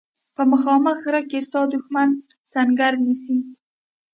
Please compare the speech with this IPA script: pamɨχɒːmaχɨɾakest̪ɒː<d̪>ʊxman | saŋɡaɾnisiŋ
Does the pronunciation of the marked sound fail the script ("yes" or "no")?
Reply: no